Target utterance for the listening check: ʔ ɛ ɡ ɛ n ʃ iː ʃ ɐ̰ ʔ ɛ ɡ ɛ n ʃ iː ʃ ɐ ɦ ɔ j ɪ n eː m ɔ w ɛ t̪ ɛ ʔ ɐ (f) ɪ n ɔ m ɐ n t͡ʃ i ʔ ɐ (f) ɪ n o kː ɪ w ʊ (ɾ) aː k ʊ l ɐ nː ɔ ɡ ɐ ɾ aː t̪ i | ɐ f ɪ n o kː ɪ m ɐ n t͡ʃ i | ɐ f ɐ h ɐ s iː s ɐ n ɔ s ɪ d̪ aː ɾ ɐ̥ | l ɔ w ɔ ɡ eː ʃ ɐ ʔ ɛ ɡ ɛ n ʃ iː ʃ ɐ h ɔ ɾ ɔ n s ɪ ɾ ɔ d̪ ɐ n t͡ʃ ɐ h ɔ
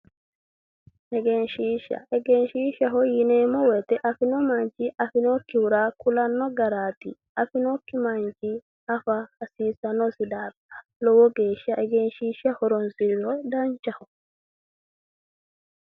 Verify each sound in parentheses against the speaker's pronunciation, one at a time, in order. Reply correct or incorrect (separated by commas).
correct, correct, correct